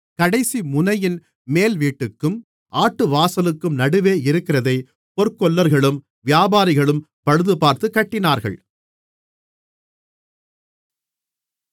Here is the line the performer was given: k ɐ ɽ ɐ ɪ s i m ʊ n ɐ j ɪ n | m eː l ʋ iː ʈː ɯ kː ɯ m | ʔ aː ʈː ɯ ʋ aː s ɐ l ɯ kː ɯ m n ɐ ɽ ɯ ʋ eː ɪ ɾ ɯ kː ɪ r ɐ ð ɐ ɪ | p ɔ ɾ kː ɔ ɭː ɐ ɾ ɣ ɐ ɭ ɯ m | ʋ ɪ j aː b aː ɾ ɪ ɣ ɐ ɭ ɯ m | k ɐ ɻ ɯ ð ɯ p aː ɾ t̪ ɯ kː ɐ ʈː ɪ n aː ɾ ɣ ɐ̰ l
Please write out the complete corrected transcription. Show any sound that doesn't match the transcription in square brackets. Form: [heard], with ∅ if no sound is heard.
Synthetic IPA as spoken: k ɐ ɽ ɐ ɪ s i m ʊ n ɐ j ɪ n | m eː l ʋ iː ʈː ɯ kː ɯ m | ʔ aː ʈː ɯ ʋ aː s ɐ l ɯ kː ɯ m n ɐ ɽ ɯ ʋ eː ɪ ɾ ɯ kː ɪ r ɐ ð ɐ ɪ | p ɔ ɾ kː ɔ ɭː ɐ ɾ ɣ ɐ ɭ ɯ m | ʋ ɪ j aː b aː ɾ ɪ ɣ ɐ ɭ ɯ m | [p] ɐ ɻ ɯ ð ɯ p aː ɾ t̪ ɯ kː ɐ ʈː ɪ n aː ɾ ɣ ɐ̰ [ɭ]